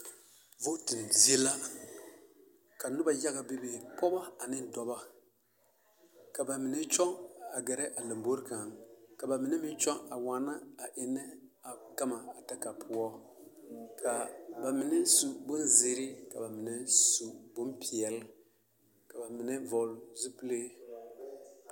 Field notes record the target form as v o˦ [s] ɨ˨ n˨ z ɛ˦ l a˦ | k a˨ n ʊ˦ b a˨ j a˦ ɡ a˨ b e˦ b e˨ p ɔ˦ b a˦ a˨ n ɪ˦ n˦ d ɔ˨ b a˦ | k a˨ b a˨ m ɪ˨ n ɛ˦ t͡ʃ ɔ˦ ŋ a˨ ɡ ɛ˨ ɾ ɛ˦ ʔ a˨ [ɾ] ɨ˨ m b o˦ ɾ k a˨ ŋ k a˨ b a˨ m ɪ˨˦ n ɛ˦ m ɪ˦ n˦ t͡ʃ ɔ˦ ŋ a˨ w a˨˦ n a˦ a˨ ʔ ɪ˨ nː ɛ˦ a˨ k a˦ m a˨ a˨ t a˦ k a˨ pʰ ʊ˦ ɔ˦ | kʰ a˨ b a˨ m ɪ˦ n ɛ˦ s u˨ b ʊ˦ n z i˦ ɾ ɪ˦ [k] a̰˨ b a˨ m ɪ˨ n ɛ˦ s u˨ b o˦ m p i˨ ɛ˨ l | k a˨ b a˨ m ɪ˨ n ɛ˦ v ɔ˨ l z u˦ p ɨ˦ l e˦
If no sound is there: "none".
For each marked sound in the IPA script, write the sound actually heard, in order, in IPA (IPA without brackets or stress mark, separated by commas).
t, l, k